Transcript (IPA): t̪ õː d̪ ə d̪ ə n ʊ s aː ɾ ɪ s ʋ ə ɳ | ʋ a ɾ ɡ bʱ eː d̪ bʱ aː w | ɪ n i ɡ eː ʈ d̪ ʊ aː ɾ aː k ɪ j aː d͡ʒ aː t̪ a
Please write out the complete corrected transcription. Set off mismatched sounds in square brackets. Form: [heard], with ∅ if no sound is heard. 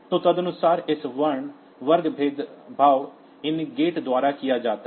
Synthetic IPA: t̪ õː [t̪] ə d̪ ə n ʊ s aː ɾ ɪ s ʋ ə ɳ | ʋ [ə] ɾ ɡ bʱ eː d̪ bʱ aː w | ɪ n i ɡ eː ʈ d̪ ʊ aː ɾ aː k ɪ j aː d͡ʒ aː t̪ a